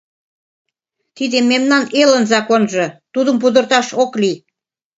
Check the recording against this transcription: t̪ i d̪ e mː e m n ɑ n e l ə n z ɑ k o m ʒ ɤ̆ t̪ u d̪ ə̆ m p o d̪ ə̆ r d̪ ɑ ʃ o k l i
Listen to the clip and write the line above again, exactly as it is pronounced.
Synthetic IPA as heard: t̪ i d̪ e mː e m n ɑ n e l ə n z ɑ k o n ʒ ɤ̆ t̪ u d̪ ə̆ m p u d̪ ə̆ r t̪ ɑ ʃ o k l i